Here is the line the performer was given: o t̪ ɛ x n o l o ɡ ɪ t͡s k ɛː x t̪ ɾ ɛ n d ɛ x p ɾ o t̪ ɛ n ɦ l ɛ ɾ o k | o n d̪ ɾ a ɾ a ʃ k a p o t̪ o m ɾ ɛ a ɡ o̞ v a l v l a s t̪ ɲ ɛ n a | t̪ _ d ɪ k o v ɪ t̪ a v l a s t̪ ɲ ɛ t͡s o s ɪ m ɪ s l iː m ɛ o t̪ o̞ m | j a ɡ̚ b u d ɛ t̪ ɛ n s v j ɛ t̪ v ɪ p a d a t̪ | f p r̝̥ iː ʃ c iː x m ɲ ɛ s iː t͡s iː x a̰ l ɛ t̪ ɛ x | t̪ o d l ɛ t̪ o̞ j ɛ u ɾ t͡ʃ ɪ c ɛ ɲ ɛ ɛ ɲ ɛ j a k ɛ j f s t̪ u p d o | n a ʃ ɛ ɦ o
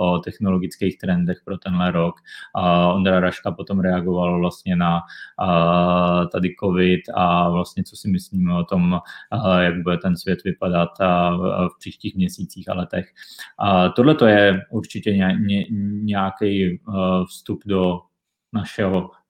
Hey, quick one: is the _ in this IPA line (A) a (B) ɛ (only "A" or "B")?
A